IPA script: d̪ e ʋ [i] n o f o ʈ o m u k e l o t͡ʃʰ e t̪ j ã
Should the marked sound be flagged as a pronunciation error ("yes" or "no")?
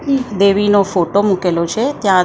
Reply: no